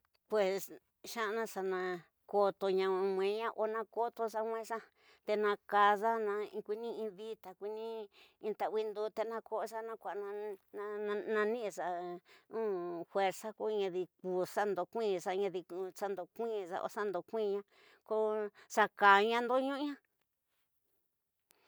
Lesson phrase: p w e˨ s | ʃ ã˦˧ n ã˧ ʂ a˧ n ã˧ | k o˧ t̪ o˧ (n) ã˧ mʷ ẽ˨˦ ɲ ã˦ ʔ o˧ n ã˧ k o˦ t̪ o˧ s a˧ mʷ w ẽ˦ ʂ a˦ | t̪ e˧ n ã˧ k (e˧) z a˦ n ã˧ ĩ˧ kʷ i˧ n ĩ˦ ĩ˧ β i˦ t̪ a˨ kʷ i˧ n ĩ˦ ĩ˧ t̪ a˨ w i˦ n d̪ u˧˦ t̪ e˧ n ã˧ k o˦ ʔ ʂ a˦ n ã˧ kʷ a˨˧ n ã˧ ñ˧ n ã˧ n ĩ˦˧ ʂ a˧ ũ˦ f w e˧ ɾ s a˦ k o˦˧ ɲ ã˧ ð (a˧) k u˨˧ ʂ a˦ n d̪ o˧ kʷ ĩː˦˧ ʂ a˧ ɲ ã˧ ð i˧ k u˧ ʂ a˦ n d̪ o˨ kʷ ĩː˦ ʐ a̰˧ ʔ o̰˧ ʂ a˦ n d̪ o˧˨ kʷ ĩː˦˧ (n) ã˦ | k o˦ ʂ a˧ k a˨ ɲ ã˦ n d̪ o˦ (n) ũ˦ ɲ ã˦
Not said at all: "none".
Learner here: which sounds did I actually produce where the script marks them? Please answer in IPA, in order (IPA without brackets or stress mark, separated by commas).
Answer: ɲ, a˧, i˧, ɲ, ɲ